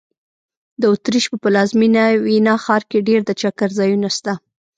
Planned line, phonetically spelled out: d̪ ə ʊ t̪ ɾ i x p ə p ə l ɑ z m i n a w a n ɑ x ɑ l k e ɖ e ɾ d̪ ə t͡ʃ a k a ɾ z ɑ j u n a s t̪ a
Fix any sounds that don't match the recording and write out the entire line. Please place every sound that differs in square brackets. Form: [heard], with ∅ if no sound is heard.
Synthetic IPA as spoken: d̪ ə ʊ t̪ ɾ i [ʃ] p ə p ə l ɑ z m i n a w [i] n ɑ x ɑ [ɾ] k e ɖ e ɾ d̪ ə t͡ʃ a k a ɾ z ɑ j u n a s t̪ a